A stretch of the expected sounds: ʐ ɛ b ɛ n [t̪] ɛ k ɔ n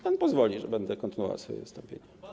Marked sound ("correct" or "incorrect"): incorrect